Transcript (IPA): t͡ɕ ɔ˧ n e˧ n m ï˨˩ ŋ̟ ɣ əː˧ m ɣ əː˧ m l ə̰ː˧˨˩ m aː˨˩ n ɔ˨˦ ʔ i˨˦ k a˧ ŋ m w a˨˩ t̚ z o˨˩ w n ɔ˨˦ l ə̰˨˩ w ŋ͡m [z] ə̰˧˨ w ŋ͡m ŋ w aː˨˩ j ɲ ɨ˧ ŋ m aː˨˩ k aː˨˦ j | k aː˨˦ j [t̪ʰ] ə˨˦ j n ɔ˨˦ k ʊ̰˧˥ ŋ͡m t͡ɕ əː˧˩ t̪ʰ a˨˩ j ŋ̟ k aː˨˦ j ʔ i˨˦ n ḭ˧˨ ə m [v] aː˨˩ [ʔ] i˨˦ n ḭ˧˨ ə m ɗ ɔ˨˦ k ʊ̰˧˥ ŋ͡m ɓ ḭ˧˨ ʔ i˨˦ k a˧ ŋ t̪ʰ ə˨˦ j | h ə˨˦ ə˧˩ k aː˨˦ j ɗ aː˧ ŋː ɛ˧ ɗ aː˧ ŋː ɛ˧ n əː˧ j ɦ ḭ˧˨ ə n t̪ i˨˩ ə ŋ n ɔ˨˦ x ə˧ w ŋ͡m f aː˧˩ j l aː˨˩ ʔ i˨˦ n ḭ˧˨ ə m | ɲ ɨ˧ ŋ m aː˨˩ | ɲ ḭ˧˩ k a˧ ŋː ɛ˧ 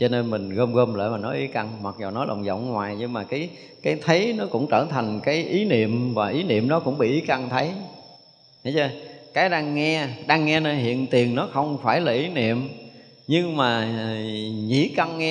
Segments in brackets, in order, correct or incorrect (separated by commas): correct, correct, correct, correct